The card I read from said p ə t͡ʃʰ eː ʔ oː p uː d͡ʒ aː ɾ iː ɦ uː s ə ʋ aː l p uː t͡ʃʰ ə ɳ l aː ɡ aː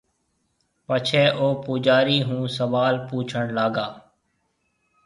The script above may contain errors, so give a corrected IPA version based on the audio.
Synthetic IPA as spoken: p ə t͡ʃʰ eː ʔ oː p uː d͡ʒ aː ɾ iː ɦ ũː s ə ʋ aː l p uː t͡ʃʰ ə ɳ l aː ɡ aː